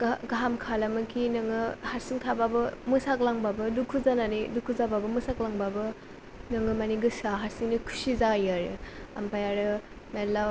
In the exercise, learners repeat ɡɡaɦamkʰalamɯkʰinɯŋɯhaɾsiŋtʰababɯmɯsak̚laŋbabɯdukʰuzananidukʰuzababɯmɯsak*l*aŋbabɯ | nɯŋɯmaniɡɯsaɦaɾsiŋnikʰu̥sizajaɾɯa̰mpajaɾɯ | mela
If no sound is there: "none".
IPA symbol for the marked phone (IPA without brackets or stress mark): l